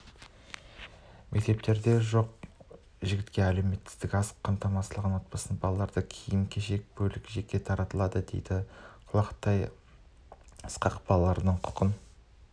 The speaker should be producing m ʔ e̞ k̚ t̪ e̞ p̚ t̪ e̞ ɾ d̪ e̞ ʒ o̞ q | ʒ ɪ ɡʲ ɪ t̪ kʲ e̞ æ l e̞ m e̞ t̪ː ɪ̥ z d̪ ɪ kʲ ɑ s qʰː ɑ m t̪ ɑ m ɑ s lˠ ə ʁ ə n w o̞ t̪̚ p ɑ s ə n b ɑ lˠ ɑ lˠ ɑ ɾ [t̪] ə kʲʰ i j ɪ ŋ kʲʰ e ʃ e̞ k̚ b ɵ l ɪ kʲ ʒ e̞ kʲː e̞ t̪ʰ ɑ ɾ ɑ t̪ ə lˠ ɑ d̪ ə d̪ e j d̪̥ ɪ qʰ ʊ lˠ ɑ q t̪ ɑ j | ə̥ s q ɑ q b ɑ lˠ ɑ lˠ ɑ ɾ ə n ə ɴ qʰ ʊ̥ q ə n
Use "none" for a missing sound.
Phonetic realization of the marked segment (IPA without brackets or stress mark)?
d̪